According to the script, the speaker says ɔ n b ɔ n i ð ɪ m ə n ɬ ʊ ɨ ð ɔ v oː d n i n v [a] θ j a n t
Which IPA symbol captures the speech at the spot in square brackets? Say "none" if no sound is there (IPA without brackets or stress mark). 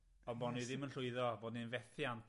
ɛ